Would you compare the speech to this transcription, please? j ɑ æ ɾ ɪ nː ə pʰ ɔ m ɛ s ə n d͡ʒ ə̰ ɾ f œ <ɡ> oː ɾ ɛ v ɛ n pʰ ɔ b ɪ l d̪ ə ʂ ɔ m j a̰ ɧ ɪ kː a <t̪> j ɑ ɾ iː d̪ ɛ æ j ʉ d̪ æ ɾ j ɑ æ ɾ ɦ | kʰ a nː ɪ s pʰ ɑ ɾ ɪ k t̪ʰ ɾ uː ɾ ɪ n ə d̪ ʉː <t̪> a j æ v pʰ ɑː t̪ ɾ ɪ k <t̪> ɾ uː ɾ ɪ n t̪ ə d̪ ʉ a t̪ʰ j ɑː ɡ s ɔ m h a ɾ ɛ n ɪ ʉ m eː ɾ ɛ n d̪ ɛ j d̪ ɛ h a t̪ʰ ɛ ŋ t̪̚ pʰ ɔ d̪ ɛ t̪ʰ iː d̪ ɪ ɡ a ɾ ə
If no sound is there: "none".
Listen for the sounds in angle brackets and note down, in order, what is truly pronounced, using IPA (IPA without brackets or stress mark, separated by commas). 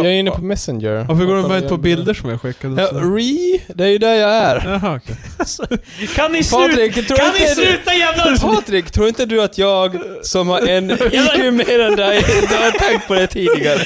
ɡ, d̪, t̪, t̪ʰ